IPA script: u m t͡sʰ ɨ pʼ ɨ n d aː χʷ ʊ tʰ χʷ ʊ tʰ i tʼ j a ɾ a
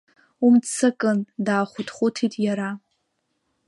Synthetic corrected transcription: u m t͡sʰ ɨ kʼ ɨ n d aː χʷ ʊ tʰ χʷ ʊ tʰ i tʼ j a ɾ a

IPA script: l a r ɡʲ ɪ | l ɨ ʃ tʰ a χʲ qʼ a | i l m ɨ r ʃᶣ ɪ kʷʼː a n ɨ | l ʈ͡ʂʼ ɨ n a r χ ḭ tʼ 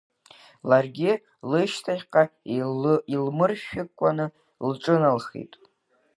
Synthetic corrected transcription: l a r ɡʲ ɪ | l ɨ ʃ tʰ a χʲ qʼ a | i l m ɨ r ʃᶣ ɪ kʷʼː a n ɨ | l ʈ͡ʂʼ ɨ n a l χ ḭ tʼ

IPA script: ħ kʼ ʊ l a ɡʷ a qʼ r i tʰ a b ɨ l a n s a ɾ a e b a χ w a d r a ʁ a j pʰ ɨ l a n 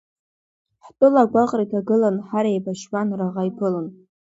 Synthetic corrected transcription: ħ tʼ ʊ l a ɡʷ a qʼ r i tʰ a ɡ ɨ l a n ħ a ɾ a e b a ʃ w a n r a ʁ a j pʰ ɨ l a n

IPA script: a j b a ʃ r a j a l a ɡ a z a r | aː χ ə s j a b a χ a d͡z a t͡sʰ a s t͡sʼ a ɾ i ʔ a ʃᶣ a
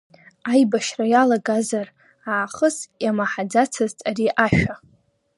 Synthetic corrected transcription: a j b a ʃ r a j a l a ɡ a z a r | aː χ ə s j a m a ħ a d͡z a t͡sʰ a z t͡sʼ a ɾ i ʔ a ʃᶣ a

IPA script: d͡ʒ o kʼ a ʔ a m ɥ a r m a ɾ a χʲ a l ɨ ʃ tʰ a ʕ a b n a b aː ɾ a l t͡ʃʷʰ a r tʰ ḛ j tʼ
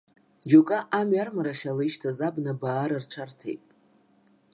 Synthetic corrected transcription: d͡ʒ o kʼ a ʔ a m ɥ a r m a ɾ a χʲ a l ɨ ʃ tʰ a z a b n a b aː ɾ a r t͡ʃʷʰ a r tʰ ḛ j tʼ

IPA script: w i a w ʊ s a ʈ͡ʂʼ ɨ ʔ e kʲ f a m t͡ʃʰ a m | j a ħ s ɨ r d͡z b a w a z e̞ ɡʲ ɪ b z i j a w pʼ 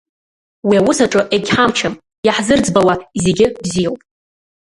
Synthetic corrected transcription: w i a w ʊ s a ʈ͡ʂʼ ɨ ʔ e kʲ ħ a m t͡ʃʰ a m | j a ħ z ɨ r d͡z b a w a z e̞ ɡʲ ɪ b z i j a w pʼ

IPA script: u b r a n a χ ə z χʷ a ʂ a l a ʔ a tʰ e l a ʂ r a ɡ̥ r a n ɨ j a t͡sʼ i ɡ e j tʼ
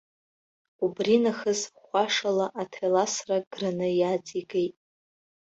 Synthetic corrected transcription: u b r i n a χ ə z χʷ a ʂ a l a ʔ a tʰ e l a s r a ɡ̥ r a n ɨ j a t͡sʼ i ɡ e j tʼ

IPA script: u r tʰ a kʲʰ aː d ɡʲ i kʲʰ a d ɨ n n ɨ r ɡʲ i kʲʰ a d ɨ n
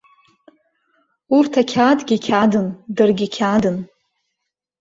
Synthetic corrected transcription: u r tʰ a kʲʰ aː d ɡʲ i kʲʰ a d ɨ n d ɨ r ɡʲ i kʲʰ a d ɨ n

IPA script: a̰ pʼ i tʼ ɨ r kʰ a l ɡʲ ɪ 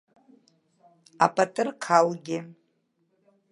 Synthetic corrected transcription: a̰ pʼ a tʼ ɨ r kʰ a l ɡʲ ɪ

